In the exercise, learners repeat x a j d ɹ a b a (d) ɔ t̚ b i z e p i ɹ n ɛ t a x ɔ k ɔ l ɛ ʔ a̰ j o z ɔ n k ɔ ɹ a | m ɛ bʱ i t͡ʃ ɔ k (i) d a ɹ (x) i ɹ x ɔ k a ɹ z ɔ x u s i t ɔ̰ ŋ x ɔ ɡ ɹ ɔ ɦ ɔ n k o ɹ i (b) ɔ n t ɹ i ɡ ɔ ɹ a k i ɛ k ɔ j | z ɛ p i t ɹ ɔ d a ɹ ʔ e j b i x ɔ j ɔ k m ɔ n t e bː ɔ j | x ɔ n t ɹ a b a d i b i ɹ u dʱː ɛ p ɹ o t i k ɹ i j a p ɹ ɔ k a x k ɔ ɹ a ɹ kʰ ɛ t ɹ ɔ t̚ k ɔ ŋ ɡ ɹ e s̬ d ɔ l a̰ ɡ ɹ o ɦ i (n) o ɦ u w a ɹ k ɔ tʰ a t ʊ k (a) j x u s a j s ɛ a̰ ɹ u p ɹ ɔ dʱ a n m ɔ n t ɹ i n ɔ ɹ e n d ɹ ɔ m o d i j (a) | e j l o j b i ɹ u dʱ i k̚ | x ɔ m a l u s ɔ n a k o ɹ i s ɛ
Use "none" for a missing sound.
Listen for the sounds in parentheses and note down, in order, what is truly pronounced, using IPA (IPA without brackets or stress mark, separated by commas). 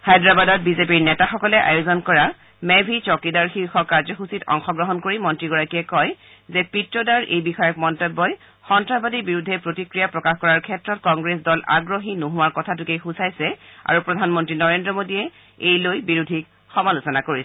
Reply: d, i, x, m, n, e, ɛ